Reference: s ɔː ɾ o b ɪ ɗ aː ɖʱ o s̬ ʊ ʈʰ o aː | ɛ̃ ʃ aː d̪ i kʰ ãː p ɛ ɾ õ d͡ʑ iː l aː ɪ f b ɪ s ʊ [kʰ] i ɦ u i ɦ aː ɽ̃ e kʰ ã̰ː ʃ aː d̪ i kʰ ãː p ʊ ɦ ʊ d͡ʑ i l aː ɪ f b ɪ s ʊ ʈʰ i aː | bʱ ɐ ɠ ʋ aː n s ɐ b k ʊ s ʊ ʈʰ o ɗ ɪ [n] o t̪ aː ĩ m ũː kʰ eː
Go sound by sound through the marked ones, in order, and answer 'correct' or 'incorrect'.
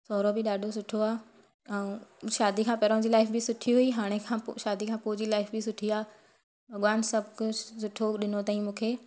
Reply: incorrect, correct

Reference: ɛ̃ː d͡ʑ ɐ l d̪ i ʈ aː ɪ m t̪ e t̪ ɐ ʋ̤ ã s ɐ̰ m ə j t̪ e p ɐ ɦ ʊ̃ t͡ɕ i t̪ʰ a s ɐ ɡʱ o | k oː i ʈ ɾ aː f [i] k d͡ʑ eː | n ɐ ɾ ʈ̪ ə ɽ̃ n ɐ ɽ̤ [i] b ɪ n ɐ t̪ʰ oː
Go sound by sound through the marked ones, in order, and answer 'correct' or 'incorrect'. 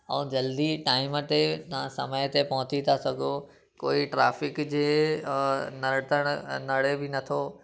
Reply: incorrect, incorrect

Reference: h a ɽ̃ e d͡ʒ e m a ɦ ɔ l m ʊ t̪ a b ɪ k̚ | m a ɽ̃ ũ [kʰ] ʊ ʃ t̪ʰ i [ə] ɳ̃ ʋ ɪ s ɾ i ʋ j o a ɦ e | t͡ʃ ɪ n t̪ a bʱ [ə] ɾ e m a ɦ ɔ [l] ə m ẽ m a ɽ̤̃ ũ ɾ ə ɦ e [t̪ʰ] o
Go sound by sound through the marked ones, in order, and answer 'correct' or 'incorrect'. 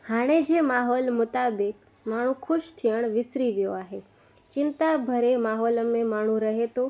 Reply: correct, correct, correct, correct, incorrect

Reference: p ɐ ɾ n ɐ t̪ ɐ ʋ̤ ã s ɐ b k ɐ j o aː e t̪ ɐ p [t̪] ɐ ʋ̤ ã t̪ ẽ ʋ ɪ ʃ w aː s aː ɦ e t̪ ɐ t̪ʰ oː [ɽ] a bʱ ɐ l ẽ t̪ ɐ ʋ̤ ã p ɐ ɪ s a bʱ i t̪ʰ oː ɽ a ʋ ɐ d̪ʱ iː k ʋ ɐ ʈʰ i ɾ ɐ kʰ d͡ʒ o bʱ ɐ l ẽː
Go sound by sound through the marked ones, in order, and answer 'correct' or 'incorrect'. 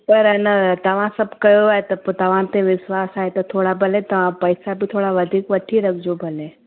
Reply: correct, correct

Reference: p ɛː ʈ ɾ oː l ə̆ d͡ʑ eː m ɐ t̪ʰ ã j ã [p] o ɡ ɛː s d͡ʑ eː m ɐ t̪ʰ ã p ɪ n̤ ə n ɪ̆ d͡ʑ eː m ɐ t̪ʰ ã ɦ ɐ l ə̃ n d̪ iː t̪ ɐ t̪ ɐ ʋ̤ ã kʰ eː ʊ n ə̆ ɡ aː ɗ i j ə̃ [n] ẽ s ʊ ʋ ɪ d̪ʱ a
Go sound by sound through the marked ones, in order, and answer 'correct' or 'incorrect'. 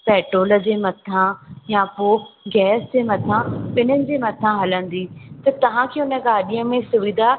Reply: correct, incorrect

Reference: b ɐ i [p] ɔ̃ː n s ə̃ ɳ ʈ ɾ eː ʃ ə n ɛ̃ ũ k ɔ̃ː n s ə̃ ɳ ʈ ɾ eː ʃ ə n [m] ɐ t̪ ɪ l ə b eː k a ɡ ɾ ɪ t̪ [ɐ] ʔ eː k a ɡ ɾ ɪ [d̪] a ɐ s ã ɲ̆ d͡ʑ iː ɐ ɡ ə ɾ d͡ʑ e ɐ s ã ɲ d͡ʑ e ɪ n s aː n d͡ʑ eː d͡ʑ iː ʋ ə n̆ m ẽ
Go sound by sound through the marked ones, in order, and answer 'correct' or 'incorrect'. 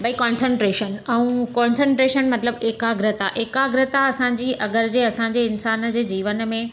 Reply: incorrect, correct, incorrect, incorrect

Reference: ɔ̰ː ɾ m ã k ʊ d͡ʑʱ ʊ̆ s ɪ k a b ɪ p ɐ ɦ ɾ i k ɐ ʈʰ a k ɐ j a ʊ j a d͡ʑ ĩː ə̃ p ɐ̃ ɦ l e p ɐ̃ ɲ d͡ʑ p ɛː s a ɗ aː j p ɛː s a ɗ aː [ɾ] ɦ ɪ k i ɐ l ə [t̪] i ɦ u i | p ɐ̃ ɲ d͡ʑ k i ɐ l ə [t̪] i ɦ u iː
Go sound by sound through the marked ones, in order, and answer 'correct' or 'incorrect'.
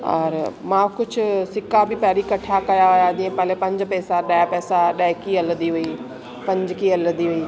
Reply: incorrect, incorrect, incorrect

